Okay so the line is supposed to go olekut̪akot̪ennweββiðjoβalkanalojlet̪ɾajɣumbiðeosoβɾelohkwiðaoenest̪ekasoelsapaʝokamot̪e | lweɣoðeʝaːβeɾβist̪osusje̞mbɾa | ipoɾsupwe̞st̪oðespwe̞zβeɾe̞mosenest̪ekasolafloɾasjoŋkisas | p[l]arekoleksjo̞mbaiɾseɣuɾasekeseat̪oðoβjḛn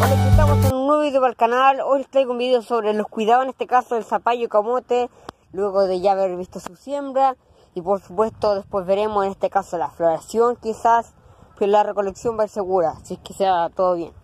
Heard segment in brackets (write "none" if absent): l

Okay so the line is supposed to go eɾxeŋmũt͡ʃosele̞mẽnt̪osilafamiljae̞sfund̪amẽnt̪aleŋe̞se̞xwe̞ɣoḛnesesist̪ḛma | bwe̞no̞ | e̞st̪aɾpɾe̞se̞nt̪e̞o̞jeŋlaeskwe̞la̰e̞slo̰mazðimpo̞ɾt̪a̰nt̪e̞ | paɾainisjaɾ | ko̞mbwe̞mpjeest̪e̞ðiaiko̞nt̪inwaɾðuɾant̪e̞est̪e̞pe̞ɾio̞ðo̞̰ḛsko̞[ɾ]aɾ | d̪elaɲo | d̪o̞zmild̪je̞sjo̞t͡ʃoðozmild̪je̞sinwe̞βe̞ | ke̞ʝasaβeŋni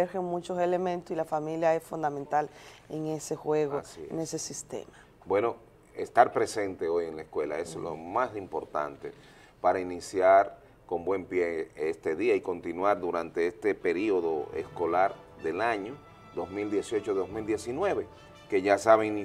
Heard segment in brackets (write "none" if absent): l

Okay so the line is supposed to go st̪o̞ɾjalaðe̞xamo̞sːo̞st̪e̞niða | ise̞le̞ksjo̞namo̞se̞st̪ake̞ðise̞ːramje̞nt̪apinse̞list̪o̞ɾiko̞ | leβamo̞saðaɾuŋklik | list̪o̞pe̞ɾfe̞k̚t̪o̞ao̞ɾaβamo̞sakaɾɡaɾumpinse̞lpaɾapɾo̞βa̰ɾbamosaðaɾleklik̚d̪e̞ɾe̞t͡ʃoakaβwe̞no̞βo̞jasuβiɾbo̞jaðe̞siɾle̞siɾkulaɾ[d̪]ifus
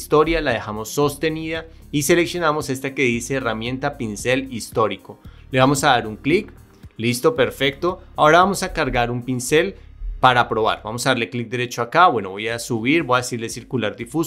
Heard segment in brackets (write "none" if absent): d̪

